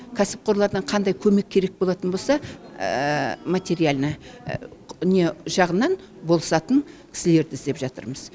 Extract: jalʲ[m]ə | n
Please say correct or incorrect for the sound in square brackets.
incorrect